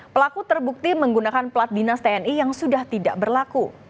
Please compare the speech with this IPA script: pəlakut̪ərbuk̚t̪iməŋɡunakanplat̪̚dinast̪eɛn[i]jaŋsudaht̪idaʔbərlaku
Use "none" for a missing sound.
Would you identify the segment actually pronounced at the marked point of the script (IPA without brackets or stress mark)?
i